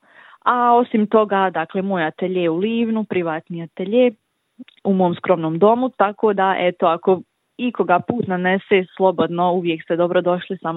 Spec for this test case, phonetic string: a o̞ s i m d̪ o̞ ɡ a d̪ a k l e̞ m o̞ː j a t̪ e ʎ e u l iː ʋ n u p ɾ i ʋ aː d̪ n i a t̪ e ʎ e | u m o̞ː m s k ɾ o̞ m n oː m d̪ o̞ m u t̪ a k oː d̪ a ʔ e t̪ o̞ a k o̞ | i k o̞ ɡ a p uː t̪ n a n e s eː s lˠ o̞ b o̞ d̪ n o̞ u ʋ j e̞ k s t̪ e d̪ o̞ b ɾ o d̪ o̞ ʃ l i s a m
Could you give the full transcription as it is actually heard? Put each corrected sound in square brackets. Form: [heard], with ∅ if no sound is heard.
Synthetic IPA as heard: a o̞ s i m [t̪] o̞ ɡ a d̪ a k l e̞ m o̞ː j a t̪ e ʎ e u l iː ʋ n u p ɾ i ʋ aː [t̪] n i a t̪ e ʎ e | u m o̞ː m s k ɾ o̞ m n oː m d̪ o̞ m u t̪ a k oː d̪ a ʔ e t̪ o̞ a k o̞ | i k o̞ ɡ a p uː t̪ n a n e s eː s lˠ o̞ b o̞ d̪ n o̞ u ʋ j e̞ k s t̪ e d̪ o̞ b ɾ o d̪ o̞ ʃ l i s a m